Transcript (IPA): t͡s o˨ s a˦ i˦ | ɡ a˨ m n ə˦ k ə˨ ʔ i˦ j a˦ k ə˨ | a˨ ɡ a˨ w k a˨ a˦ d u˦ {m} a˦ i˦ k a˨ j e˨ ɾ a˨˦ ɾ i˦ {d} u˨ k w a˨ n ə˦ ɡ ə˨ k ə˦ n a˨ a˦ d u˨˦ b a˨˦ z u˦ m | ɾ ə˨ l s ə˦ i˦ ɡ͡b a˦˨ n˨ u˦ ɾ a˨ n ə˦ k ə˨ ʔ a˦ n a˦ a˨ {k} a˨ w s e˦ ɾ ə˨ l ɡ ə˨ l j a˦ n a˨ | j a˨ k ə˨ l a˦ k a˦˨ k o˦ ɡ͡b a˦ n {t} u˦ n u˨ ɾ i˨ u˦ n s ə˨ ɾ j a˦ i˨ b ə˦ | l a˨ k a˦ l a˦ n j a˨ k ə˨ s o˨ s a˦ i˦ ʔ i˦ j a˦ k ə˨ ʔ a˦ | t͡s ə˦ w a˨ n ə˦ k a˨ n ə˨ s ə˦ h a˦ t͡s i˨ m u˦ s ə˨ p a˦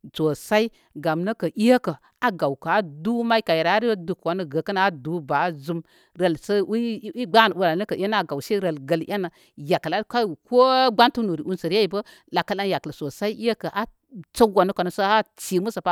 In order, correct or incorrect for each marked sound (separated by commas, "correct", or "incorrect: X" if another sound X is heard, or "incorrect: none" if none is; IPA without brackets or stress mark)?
correct, correct, incorrect: ɡ, correct